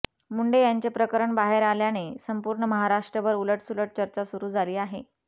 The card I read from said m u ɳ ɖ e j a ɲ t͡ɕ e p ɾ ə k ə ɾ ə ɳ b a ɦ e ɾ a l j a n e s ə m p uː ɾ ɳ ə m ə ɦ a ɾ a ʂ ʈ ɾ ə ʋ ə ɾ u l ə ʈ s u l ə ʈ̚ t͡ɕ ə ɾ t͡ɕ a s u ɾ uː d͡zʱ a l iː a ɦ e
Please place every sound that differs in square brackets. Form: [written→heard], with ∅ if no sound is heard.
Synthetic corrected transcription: m u ɳ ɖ e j a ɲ t͡ɕ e p ɾ ə k ə ɾ ə ɳ b a ɦ e ɾ a l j a n e s ə m p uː ɾ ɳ ə m ə ɦ a ɾ a ʂ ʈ ɾ ə ʋ ə ɾ u l ə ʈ s u l ə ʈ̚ t͡ɕ ə ɾ t͡ɕ a s u ɾ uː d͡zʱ a l iː a ɦ e